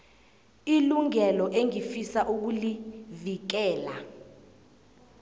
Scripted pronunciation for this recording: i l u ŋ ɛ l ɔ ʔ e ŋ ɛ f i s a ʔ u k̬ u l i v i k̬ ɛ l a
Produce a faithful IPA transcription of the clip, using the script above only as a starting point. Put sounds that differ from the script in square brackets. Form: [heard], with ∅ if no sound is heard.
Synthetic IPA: i l u ŋ ɛ l ɔ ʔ e ŋ [i] f i s a ʔ u k̬ u l i v i k̬ [ɛː] l a